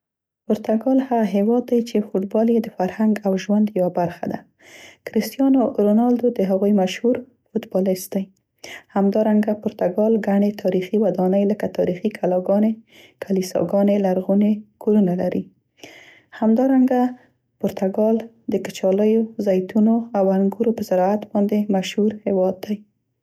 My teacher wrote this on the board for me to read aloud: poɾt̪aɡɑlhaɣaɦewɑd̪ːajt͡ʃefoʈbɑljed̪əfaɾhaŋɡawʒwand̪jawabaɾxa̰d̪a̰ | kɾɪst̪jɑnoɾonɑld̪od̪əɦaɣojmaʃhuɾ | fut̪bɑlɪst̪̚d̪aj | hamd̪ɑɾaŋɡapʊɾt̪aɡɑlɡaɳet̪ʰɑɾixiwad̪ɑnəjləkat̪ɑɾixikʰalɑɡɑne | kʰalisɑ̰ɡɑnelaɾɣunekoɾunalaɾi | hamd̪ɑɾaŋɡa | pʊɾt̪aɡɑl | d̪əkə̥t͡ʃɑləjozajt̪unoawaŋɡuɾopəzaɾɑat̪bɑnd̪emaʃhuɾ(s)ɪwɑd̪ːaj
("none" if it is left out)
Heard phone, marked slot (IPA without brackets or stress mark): h